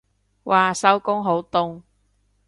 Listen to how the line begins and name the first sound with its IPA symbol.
w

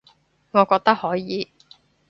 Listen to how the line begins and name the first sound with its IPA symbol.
ŋ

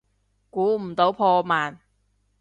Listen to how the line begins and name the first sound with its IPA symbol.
k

